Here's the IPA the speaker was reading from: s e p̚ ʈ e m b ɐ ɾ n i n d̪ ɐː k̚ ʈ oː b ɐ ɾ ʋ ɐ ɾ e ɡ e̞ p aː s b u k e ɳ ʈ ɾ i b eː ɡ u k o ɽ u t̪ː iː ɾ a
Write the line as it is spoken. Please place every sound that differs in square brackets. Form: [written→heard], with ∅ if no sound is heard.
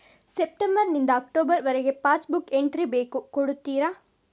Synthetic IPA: s e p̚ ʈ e m b ɐ ɾ n i n d̪ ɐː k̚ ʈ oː b ɐ ɾ ʋ ɐ ɾ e ɡ e̞ p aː s b u k e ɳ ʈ ɾ i b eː [ɡ→k] u k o ɽ u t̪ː iː ɾ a